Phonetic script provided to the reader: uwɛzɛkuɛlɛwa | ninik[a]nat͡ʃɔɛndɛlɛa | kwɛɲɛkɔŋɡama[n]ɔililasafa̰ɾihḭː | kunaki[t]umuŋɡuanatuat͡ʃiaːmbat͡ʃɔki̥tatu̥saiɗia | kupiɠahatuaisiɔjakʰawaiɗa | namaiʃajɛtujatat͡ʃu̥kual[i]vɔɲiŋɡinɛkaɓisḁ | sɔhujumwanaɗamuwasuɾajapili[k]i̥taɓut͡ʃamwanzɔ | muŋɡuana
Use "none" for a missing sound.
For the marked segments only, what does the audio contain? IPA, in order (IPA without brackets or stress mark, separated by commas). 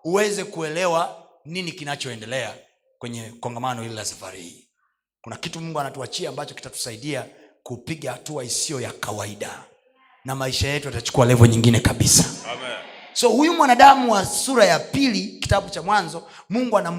i, n, t, ɛ, k